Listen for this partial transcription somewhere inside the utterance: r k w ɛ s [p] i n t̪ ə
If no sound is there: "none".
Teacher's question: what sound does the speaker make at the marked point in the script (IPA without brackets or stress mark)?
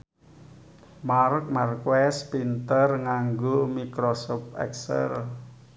p